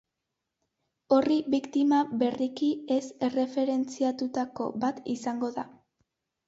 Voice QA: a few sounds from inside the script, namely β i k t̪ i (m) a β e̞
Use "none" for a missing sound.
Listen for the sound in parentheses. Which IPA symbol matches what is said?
m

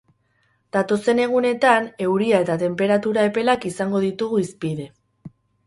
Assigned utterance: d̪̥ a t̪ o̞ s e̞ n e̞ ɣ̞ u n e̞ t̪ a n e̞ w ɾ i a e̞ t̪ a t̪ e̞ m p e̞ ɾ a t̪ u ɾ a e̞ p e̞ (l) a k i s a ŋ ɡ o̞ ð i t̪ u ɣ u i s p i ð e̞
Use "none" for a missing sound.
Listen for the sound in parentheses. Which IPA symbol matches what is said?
l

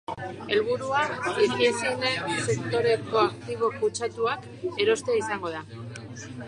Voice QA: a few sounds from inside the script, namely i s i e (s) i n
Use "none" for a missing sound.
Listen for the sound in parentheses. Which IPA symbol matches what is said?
s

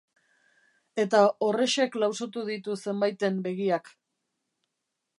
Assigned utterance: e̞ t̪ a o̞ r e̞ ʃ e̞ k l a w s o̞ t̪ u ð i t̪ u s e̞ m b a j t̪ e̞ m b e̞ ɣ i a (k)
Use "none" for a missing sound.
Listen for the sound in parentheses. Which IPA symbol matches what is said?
k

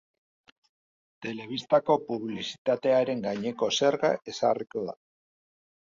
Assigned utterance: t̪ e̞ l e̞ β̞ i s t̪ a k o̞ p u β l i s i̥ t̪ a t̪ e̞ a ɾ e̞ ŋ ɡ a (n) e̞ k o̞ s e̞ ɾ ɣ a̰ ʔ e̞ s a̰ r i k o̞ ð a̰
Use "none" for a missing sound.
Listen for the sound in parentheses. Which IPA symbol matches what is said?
ɲ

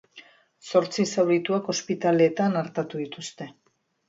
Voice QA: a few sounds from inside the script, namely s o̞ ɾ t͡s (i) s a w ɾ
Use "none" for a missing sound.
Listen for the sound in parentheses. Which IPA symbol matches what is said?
i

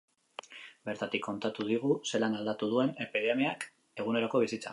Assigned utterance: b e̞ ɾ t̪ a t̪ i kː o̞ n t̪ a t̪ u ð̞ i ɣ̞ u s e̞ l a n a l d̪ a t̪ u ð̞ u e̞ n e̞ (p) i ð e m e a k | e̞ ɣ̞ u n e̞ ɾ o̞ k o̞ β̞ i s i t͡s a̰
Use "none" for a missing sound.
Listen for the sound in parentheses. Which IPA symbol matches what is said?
p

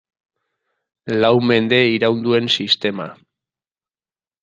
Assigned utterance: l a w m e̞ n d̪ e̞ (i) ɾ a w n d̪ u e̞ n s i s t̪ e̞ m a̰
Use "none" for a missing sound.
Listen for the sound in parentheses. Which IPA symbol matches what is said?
i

